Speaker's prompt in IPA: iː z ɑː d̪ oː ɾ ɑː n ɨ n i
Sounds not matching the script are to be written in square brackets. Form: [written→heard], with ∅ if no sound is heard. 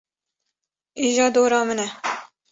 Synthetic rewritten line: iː [z→ʒ] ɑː d̪ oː ɾ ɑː [n→m] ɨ n [i→ɛ]